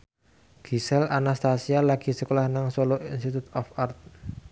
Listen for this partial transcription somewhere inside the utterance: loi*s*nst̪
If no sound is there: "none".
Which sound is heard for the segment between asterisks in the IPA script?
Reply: none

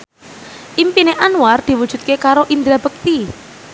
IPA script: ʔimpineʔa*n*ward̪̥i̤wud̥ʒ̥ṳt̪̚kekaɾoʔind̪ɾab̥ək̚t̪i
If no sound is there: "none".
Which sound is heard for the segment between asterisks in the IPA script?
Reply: n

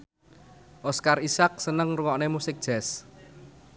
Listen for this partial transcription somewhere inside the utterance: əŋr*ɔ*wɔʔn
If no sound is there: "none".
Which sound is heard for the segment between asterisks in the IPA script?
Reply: u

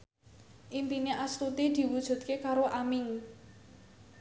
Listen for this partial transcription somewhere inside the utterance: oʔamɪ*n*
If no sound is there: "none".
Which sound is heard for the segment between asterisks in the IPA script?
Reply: ŋ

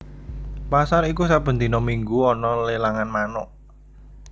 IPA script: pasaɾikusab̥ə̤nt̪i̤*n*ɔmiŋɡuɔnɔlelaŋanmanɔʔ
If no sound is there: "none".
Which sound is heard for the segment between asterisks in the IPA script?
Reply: n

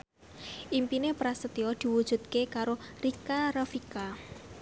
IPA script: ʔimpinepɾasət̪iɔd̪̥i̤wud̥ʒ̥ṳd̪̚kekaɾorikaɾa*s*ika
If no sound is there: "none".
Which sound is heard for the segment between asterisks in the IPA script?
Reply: f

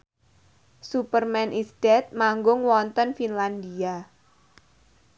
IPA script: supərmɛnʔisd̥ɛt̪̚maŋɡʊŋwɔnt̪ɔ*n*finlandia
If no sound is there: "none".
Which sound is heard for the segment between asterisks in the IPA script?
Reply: n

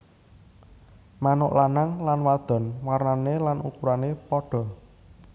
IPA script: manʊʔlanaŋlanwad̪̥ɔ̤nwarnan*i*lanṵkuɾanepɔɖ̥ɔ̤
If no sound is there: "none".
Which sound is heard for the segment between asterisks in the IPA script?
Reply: e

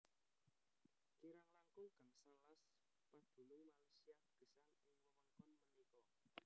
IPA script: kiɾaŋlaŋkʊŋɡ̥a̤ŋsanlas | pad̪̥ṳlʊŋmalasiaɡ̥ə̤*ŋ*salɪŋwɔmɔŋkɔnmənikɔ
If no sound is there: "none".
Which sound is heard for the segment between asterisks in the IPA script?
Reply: none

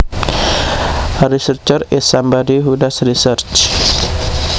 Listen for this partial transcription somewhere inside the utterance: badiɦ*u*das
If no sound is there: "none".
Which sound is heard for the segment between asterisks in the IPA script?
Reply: u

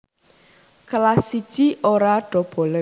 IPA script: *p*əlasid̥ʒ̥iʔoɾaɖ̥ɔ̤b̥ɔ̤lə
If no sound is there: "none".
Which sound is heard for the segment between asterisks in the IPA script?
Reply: k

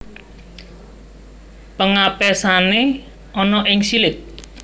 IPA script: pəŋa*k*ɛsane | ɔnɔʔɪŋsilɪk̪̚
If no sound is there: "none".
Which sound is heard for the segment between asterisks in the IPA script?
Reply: p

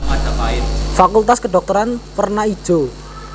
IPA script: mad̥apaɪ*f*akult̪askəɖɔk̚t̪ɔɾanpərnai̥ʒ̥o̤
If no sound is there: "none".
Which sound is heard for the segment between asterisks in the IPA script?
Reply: f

